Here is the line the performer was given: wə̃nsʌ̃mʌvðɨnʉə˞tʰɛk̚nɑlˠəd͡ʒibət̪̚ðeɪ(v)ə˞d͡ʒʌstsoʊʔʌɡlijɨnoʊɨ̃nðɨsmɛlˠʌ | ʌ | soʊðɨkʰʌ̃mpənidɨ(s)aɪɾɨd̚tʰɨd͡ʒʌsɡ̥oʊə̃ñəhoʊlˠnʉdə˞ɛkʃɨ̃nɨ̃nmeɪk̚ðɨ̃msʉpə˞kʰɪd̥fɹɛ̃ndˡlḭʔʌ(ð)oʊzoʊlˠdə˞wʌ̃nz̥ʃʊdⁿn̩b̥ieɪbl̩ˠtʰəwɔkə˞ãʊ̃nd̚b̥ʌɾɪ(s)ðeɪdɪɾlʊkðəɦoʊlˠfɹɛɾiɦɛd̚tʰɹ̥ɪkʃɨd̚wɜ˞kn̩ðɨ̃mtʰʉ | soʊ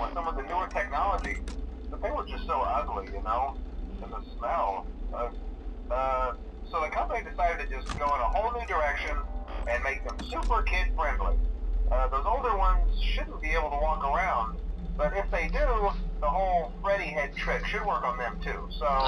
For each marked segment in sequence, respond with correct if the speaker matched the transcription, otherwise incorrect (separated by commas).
incorrect, correct, correct, incorrect